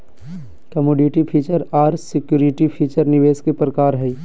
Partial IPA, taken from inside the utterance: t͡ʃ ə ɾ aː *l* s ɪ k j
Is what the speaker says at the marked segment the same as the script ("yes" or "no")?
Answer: no